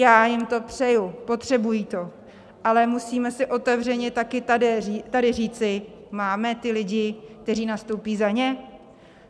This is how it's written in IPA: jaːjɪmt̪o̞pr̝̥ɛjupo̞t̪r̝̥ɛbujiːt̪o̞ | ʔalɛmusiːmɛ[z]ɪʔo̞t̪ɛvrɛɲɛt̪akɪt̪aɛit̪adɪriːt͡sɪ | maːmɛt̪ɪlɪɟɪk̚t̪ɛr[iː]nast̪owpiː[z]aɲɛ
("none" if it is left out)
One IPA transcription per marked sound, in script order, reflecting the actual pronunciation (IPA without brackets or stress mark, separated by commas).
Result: s, iː, z